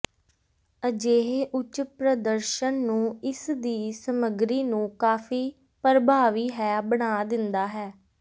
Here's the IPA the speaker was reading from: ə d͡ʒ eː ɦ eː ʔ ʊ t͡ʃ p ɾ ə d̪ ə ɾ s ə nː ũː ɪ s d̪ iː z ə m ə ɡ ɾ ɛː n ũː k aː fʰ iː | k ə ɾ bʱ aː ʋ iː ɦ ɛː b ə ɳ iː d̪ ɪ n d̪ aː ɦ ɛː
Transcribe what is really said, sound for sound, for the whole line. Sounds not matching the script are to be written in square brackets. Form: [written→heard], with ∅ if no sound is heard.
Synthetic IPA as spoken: ə d͡ʒ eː ɦ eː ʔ ʊ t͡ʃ p ɾ ə d̪ ə ɾ [s→ʃ] ə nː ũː ɪ s d̪ iː [z→s] ə m ə ɡ ɾ [ɛː→iː] n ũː k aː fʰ iː | [k→p] ə ɾ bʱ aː ʋ iː ɦ ɛː b ə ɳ [iː→aː] d̪ ɪ n d̪ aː ɦ ɛː